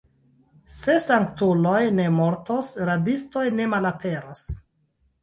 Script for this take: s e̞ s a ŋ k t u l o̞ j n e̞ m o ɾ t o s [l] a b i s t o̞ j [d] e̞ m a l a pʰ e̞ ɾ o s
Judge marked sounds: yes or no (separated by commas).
no, no